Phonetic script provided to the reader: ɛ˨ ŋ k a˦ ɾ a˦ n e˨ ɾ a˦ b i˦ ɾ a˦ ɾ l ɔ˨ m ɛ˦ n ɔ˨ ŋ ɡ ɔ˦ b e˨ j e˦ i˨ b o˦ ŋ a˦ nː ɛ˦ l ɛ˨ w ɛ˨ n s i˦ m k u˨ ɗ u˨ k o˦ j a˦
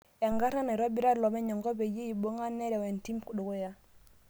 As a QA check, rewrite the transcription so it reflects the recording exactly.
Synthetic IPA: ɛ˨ ŋ ɡ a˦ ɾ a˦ n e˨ ɾ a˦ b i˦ ɾ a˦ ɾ l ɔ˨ m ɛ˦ ɲ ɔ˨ ŋ ɡ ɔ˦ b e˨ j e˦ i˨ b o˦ ŋ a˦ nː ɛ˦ ɾ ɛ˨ w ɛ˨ n t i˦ m k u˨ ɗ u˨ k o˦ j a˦